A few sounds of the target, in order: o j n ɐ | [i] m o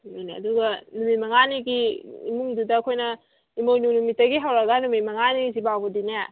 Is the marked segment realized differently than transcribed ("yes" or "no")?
no